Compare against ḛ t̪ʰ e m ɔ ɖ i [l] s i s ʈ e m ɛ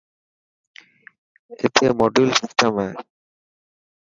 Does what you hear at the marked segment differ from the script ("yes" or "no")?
no